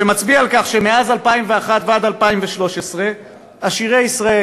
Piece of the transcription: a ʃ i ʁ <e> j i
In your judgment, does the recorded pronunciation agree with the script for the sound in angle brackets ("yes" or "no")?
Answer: yes